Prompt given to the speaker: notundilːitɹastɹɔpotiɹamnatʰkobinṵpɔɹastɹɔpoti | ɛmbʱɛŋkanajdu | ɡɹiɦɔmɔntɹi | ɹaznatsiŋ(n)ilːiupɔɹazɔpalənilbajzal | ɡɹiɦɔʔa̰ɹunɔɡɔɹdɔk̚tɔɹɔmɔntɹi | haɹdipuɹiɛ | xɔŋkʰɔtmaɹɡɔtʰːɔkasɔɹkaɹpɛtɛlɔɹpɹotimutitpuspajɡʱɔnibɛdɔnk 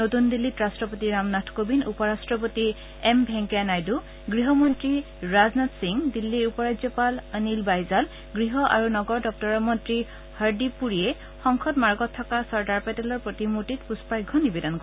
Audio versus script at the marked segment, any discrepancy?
yes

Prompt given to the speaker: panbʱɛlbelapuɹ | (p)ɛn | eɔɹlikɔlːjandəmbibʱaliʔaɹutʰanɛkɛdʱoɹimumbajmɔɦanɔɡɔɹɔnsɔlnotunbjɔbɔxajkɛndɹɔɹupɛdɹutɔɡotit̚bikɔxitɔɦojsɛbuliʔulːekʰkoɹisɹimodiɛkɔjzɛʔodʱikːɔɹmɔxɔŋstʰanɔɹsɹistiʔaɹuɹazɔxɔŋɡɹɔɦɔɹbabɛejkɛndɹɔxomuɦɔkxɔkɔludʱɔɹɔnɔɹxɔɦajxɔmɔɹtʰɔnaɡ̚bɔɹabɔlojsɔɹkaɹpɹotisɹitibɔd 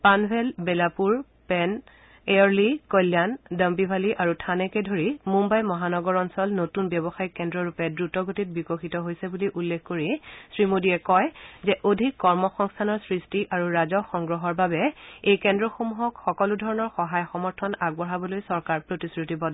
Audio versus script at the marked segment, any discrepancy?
no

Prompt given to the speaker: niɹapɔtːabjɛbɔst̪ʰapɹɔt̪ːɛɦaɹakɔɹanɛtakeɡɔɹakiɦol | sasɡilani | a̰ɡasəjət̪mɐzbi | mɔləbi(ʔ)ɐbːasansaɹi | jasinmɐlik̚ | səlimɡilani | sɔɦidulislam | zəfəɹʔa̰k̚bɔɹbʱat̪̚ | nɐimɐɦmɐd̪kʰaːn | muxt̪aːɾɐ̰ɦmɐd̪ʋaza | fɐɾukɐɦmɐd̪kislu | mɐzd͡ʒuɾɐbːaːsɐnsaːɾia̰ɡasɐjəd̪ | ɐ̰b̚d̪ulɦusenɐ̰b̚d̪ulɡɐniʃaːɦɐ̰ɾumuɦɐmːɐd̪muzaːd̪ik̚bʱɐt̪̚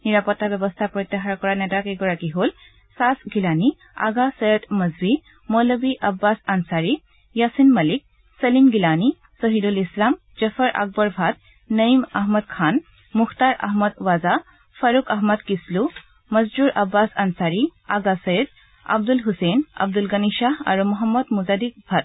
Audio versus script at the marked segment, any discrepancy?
no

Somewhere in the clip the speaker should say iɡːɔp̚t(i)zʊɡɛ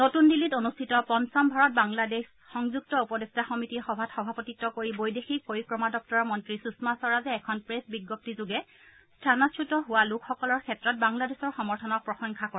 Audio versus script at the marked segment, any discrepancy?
no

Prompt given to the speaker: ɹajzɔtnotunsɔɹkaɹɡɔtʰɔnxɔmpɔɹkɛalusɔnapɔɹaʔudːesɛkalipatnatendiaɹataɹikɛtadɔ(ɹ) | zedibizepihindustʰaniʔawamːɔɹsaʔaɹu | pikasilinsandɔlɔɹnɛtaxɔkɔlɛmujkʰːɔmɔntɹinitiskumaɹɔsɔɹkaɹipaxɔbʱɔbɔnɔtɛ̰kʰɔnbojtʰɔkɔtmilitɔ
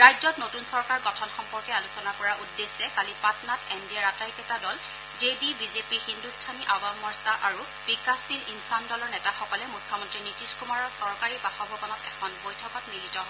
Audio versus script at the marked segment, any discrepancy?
yes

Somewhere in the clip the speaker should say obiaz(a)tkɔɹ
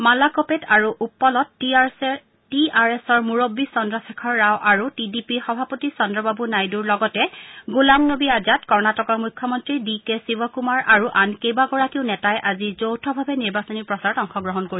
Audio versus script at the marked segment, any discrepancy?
no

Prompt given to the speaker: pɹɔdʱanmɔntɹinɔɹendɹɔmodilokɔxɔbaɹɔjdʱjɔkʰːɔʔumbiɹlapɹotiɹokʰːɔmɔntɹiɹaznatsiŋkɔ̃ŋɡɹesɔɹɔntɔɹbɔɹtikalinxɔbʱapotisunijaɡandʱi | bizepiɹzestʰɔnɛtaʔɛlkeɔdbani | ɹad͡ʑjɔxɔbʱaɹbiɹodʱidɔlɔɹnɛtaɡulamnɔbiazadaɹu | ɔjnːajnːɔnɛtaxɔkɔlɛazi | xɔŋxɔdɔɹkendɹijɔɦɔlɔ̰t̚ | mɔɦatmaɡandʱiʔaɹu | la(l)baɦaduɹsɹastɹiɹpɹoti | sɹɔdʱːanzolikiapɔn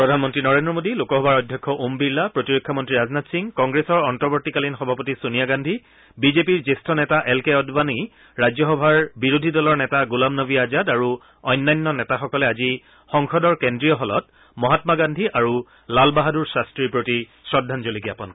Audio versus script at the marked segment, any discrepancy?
no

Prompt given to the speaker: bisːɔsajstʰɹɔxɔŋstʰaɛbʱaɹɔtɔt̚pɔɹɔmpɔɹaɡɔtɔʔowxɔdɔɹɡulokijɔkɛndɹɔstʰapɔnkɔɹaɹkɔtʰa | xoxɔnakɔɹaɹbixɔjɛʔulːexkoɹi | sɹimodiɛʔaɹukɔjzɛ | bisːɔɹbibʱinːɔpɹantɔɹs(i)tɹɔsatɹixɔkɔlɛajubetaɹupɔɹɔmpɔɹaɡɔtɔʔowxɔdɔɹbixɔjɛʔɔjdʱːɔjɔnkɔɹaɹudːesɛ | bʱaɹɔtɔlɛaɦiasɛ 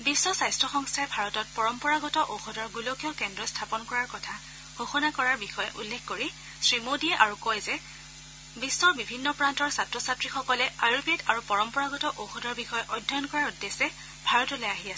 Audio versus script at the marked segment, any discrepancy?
yes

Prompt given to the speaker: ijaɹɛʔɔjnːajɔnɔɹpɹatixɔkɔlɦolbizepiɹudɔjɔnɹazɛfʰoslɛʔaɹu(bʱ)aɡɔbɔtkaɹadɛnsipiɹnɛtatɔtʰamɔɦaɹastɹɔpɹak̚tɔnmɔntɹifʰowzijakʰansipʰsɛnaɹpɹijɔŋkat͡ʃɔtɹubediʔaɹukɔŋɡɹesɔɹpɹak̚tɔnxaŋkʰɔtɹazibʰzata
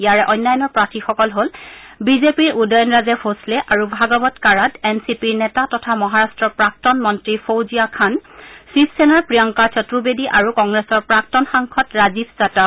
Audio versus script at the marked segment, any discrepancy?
no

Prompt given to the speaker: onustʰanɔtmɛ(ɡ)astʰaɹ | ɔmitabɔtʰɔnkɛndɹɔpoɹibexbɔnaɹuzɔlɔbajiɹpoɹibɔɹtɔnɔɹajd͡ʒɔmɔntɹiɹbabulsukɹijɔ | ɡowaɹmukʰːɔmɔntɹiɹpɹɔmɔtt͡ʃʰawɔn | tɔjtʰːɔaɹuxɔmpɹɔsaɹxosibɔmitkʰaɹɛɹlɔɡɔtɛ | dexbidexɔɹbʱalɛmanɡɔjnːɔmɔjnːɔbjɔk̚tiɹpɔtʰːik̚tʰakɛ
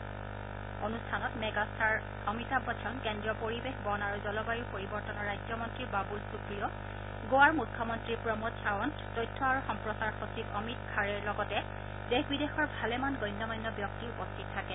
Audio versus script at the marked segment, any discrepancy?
no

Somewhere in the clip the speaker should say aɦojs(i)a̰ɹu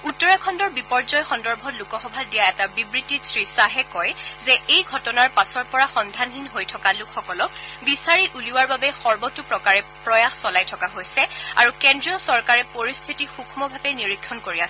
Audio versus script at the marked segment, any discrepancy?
yes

